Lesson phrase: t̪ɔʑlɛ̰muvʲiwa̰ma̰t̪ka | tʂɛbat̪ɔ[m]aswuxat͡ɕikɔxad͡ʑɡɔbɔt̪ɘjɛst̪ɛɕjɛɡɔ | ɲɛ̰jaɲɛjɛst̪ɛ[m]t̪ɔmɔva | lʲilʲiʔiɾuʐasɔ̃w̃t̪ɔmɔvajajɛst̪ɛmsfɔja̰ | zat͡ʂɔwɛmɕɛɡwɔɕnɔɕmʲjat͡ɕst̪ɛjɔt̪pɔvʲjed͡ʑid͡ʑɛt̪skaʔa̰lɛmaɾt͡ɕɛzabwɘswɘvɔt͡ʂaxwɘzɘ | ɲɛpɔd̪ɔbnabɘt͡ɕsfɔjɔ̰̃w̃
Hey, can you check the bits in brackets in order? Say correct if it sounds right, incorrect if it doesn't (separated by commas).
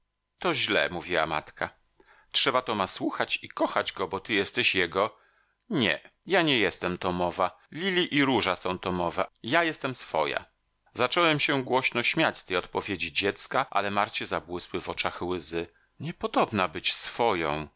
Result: correct, correct